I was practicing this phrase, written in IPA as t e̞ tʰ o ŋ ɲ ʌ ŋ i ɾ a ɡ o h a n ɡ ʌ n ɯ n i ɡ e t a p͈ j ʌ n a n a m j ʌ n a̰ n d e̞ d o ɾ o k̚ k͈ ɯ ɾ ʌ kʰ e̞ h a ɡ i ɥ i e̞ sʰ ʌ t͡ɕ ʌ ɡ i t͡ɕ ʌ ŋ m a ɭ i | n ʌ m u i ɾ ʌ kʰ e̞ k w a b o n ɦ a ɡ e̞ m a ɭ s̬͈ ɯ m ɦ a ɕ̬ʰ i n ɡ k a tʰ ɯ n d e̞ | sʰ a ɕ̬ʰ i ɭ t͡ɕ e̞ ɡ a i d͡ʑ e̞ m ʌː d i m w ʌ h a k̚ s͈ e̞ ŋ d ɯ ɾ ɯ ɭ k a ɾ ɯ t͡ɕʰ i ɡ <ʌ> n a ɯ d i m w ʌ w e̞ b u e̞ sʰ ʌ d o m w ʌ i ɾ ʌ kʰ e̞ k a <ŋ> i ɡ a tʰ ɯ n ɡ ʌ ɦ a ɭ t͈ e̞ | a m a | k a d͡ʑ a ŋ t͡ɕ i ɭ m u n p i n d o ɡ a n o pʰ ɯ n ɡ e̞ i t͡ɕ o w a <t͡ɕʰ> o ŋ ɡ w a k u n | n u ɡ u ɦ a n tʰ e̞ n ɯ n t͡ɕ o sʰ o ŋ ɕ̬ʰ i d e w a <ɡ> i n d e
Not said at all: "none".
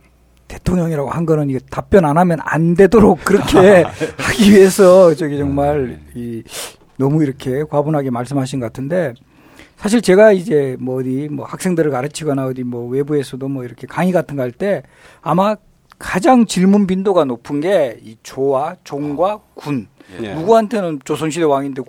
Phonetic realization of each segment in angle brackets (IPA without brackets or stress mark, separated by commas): ʌ, ŋ, t͡ɕ, ŋ